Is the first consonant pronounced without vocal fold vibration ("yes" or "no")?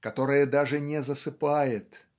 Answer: yes